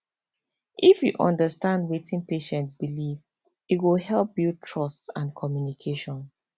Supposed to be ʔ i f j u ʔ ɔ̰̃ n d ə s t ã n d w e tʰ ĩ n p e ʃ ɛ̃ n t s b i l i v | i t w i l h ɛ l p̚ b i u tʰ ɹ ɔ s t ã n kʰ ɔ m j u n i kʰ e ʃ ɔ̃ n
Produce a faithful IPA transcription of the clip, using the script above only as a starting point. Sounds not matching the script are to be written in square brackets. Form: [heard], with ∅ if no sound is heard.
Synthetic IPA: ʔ i f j u ʔ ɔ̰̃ n d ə s t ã n d w e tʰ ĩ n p e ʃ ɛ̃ n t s b i l i v | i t w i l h ɛ l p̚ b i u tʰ ɹ ɔ s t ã n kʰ ɔ m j u n i kʰ e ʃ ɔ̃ n